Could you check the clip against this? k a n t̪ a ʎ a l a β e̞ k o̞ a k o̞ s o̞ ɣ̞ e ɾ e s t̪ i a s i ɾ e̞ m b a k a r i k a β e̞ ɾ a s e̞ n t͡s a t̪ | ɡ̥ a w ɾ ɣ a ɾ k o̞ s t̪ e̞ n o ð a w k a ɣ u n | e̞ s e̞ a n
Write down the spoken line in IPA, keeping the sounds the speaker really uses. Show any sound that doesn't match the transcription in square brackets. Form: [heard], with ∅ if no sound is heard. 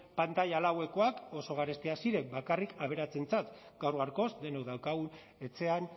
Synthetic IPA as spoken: [p] a n t̪ a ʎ a l a [w] e̞ k o̞ a k o̞ s o̞ ɣ̞ [a] ɾ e s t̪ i a s i ɾ e̞ m b a k a r i k a β e̞ ɾ a [t͡s] e̞ n t͡s a t̪ | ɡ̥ a w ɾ ɣ a ɾ k o̞ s [d̪] e̞ n o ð a w k a ɣ u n | e̞ [t͡s] e̞ a n

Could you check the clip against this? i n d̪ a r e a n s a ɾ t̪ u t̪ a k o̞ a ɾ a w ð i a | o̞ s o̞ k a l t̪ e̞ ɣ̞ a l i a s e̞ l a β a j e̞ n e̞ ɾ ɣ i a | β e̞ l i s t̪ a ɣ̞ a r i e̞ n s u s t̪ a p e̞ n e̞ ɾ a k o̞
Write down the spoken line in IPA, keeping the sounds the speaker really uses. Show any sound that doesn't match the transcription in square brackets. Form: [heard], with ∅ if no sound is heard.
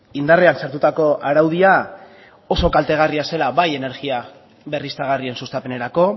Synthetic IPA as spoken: i n d̪ a r e a n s a ɾ t̪ u t̪ a k o̞ a ɾ a w ð i a | o̞ s o̞ k a l t̪ e̞ ɣ̞ a [r] i a s e̞ l a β a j e̞ n e̞ ɾ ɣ i a | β e̞ [r] i s t̪ a ɣ̞ a r i e̞ n s u s t̪ a p e̞ n e̞ ɾ a k o̞

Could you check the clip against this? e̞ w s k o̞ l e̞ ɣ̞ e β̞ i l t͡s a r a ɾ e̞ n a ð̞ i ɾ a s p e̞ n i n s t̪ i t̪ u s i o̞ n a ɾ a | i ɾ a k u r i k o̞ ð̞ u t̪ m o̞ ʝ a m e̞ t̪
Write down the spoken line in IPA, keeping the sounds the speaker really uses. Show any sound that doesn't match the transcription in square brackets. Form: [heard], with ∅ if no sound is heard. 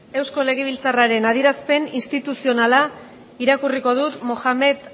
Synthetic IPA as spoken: e̞ w s k o̞ l e̞ ɣ̞ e β̞ i l t͡s a r a ɾ e̞ n a ð̞ i ɾ a s p e̞ n i n s t̪ i t̪ u s i o̞ n a [l] a | i ɾ a k u r i k o̞ ð̞ u t̪ m o̞ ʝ a m e̞ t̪

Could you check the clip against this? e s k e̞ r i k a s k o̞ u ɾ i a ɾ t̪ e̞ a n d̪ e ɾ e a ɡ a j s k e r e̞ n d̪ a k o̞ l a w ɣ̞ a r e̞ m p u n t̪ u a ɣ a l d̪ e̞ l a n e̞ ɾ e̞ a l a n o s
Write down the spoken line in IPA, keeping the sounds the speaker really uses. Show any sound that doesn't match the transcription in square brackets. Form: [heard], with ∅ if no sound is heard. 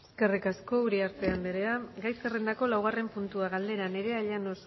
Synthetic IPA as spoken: e s k e̞ r i k a s k o̞ u ɾ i a ɾ t̪ e̞ a n d̪ e ɾ e a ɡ a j s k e r e̞ n d̪ a k o̞ l a w ɣ̞ a r e̞ m p u n t̪ u a ɣ a l d̪ e̞ [ɾ] a n e̞ ɾ e̞ a [ʎ] a n o s

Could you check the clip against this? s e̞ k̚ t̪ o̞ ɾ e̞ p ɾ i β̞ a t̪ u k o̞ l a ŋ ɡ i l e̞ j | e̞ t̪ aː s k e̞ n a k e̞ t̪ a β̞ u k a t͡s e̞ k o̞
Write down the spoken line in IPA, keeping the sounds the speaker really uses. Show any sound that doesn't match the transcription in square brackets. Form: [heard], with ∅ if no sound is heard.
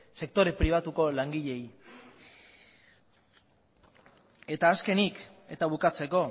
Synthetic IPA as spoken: s e̞ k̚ t̪ o̞ ɾ e̞ p ɾ i β̞ a t̪ u k o̞ l a ŋ ɡ i [ʎ] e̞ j | e̞ t̪ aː s k e̞ n [i] k e̞ t̪ a β̞ u k a t͡s e̞ k o̞

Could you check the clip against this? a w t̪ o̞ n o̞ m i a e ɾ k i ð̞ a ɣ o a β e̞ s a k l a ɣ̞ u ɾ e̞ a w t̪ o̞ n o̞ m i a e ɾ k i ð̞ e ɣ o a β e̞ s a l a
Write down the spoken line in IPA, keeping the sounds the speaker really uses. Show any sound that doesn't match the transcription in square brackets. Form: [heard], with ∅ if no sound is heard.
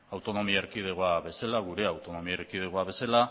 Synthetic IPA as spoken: a w t̪ o̞ n o̞ m i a e ɾ k i ð̞ [e] ɣ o a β e̞ s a [∅] l a ɣ̞ u ɾ e̞ a w t̪ o̞ n o̞ m i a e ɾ k i ð̞ e ɣ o a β e̞ s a l a

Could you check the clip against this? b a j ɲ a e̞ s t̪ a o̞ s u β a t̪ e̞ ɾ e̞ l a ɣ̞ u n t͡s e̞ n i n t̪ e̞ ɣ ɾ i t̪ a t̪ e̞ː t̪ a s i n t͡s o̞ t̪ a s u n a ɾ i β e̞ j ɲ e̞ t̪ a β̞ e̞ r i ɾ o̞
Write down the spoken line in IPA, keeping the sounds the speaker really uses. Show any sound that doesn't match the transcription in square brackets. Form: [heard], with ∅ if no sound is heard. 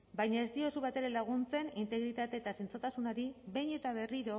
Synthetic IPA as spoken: b a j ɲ a e̞ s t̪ [i] o̞ s u β a t̪ e̞ ɾ e̞ l a ɣ̞ u n t͡s e̞ n i n t̪ e̞ ɣ ɾ i t̪ a t̪ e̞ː t̪ a s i n t͡s o̞ t̪ a s u n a ɾ i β e̞ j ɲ e̞ t̪ a β̞ e̞ r i ɾ o̞

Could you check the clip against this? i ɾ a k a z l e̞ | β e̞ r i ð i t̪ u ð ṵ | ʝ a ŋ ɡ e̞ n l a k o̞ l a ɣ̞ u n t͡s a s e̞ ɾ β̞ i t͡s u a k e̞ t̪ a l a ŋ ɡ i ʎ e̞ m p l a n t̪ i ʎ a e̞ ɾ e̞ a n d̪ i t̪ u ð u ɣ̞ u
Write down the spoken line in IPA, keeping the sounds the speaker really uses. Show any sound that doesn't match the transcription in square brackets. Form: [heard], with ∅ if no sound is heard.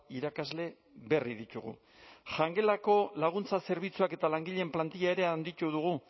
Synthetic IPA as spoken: i ɾ a k a z l e̞ | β e̞ r i ð i t̪ u [ɣ] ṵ | ʝ a ŋ ɡ e̞ [∅] l a k o̞ l a ɣ̞ u n t͡s a s e̞ ɾ β̞ i t͡s u a k e̞ t̪ a l a ŋ ɡ i ʎ e̞ m p l a n t̪ i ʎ a e̞ ɾ e̞ a n d̪ i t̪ u ð u ɣ̞ u

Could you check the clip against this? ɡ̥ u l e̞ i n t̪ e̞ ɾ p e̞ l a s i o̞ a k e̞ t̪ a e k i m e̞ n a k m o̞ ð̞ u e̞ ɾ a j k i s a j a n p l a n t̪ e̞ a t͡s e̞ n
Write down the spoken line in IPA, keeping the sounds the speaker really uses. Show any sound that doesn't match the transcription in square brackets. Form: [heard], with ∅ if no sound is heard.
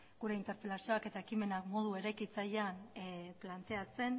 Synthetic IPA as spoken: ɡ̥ u [ɾ] e̞ i n t̪ e̞ ɾ p e̞ l a s i o̞ a k e̞ t̪ a e k i m e̞ n a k m o̞ ð̞ u e̞ ɾ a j k i [t͡s] a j a n p l a n t̪ e̞ a t͡s e̞ n

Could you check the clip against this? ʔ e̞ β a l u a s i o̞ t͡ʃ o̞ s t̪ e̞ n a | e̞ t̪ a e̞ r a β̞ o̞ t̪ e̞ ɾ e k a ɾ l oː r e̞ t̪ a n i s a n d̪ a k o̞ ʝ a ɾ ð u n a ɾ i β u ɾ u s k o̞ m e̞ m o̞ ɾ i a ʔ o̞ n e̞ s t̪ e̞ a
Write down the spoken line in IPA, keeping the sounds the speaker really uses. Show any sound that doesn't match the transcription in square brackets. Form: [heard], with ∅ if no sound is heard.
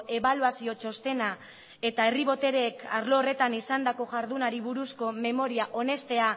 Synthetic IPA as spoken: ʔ e̞ β a l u a s i o̞ t͡ʃ o̞ s t̪ e̞ n a | e̞ t̪ a e̞ r [i] β̞ o̞ t̪ e̞ ɾ e k a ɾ l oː r e̞ t̪ a n i s a n d̪ a k o̞ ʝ a ɾ ð u n a ɾ i β u ɾ u s k o̞ m e̞ m o̞ ɾ i a ʔ o̞ n e̞ s t̪ e̞ a

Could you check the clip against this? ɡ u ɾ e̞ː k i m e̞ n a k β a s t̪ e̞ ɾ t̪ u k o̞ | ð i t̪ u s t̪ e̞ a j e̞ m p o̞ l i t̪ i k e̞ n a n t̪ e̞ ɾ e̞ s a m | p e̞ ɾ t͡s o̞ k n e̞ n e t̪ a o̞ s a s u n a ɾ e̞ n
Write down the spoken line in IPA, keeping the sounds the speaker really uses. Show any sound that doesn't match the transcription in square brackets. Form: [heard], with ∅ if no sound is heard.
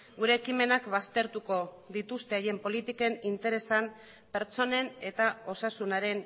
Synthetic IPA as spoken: ɡ u ɾ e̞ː k i m e̞ n a k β a s t̪ e̞ ɾ t̪ u k o̞ | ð i t̪ u s t̪ e̞ a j e̞ m p o̞ l i t̪ i k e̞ n [i] n t̪ e̞ ɾ e̞ s a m | p e̞ ɾ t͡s o̞ [∅] n e̞ n e t̪ a o̞ s a s u n a ɾ e̞ n

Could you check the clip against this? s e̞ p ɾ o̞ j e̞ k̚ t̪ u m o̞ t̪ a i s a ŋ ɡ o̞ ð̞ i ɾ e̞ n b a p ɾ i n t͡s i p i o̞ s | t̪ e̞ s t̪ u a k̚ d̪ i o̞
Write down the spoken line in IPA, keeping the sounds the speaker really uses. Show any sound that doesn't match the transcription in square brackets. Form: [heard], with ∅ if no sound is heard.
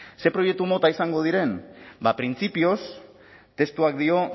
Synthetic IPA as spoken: s e̞ p ɾ o̞ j e̞ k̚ t̪ u m o̞ t̪ a i s a ŋ ɡ o̞ ð̞ i ɾ e̞ n b a p ɾ i n t͡s i p i o̞ s | t̪ e̞ s t̪ u a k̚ d̪ i o̞

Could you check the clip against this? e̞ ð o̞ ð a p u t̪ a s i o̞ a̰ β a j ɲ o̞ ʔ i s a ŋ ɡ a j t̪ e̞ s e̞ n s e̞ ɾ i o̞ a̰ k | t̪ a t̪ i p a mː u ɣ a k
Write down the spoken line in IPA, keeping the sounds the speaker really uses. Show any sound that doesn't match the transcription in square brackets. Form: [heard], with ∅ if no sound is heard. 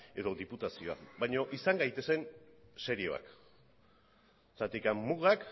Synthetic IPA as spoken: e̞ ð o̞ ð [i] p u t̪ a s i o̞ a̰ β a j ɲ o̞ ʔ i s a ŋ ɡ a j t̪ e̞ s e̞ n s e̞ ɾ i o̞ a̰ k | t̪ a t̪ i [k] a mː u ɣ a k

